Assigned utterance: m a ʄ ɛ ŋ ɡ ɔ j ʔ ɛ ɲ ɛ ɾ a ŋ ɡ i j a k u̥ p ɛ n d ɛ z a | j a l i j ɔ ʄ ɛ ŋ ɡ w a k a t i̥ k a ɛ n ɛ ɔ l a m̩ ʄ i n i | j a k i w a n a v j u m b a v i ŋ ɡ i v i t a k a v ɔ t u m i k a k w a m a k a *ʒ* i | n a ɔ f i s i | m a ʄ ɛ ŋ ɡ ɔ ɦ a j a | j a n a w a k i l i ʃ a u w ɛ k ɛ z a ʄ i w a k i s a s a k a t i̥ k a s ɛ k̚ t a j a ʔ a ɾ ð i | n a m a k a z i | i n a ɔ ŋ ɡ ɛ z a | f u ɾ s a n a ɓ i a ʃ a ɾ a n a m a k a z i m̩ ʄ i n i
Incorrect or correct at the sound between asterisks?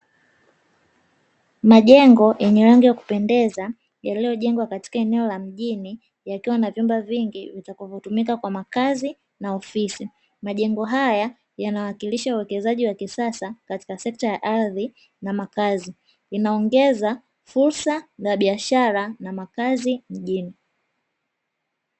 incorrect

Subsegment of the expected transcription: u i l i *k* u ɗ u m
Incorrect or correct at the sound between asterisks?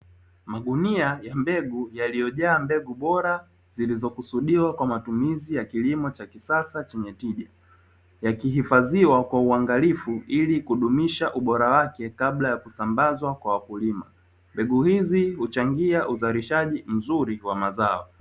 correct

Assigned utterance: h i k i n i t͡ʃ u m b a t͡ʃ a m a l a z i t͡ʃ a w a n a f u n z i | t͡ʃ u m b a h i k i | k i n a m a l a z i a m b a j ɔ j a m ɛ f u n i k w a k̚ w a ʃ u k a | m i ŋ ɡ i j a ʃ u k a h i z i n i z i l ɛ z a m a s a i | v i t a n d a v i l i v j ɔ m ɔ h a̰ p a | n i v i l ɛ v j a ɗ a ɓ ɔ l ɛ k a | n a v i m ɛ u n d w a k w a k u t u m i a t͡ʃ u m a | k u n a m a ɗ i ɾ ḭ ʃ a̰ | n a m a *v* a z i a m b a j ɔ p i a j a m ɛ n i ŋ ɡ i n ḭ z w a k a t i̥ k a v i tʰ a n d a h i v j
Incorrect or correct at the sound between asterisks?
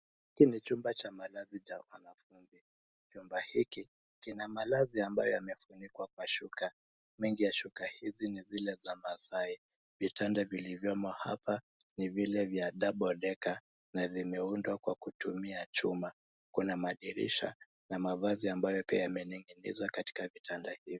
correct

